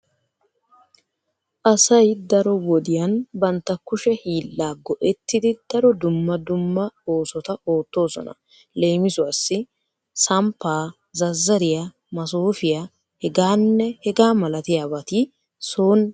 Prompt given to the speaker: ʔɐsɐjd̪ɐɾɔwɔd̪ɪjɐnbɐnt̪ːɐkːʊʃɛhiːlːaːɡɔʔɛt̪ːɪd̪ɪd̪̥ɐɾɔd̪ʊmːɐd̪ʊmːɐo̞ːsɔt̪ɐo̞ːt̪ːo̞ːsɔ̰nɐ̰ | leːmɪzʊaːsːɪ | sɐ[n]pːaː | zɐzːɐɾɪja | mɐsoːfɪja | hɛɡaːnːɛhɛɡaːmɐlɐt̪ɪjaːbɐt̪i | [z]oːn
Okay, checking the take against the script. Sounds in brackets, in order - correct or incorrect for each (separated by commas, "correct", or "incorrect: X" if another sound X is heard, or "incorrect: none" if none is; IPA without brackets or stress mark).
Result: incorrect: m, incorrect: s